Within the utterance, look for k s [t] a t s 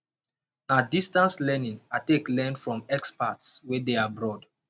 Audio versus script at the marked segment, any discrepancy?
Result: yes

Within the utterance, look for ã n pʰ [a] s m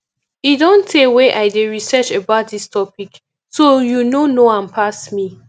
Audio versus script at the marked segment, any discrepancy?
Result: no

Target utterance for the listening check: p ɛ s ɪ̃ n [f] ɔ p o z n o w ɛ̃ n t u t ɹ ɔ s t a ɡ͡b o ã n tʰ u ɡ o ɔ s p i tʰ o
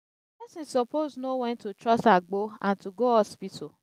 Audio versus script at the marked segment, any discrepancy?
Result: yes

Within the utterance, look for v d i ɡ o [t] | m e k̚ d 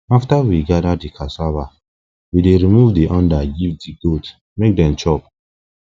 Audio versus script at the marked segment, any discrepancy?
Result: no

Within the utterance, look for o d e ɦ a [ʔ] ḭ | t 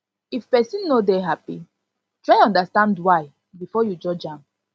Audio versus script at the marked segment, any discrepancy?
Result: yes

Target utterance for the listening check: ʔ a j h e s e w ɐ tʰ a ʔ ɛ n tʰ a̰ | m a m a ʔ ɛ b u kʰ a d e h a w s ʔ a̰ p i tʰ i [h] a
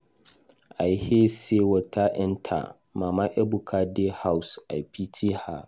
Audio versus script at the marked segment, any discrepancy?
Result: no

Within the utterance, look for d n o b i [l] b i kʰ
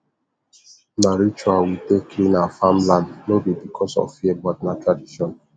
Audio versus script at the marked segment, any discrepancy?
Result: yes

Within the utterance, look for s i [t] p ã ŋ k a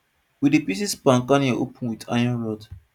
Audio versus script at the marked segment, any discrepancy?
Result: yes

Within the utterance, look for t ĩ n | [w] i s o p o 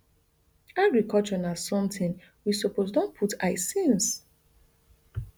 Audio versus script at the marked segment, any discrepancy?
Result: no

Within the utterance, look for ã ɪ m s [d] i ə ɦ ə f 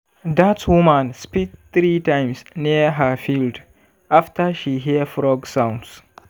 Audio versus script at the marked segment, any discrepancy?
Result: yes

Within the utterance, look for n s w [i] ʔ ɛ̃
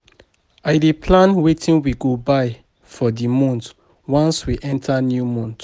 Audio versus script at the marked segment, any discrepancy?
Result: no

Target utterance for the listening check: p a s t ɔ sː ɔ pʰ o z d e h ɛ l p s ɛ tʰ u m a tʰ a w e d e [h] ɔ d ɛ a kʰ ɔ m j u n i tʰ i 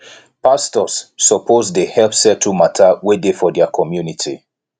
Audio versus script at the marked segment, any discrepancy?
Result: yes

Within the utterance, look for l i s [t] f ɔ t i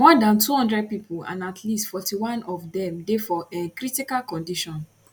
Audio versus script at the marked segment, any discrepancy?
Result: no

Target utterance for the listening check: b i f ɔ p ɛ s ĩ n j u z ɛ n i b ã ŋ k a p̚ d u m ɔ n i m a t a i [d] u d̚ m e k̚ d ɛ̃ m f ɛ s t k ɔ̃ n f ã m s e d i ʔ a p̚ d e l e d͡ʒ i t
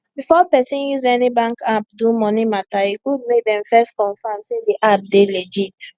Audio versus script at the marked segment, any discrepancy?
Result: yes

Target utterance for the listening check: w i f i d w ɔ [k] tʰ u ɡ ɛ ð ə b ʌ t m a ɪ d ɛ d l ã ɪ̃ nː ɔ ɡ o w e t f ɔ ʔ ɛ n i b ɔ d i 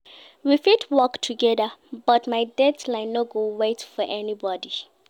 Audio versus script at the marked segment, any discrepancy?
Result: no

